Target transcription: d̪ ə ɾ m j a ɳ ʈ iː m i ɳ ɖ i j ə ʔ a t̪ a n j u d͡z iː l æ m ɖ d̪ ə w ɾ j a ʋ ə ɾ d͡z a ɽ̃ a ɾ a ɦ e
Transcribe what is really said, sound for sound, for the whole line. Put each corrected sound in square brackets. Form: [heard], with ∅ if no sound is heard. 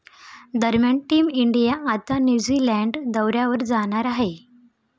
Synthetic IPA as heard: d̪ ə ɾ m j a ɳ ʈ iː m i ɳ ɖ i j [a] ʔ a t̪ a n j u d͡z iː l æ [ɳ] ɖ d̪ ə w ɾ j a ʋ ə ɾ d͡z a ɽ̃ a ɾ a ɦ e